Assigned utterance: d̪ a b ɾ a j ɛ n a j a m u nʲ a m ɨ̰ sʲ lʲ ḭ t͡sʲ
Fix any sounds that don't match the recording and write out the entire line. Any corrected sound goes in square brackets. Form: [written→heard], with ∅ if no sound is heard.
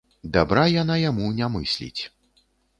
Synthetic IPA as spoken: d̪ a b ɾ a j [ɛ→a] n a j a m u nʲ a m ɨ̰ sʲ lʲ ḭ t͡sʲ